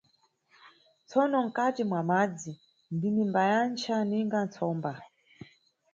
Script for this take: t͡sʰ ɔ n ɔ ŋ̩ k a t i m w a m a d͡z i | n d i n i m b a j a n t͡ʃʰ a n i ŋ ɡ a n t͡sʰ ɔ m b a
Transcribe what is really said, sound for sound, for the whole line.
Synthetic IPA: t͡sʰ ɔ n ɔ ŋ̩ k a t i m w a m a d͡z i | n d i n i m b a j a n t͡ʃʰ a n i ŋ ɡ a n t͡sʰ ɔ m b a